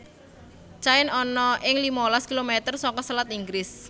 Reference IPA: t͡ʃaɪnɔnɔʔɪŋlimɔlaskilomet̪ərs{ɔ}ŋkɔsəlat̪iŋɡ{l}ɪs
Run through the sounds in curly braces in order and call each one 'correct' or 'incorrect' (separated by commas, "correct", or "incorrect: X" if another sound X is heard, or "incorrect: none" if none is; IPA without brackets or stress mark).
correct, incorrect: ɾ